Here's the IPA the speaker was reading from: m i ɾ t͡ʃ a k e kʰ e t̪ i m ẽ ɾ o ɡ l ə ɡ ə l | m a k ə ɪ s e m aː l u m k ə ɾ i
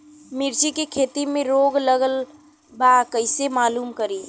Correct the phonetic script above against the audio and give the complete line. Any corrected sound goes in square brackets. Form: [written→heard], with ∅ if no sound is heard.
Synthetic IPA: m i ɾ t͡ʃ [a→i] k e kʰ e t̪ i m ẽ ɾ o ɡ l ə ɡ ə l | [m→b] a k ə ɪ s e m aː l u m k ə ɾ i